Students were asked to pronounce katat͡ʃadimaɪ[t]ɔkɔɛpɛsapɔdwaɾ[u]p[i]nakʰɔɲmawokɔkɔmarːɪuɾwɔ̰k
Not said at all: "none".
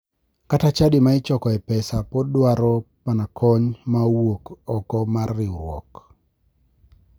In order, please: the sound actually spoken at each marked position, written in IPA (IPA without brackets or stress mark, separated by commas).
t͡ʃ, ɔ, a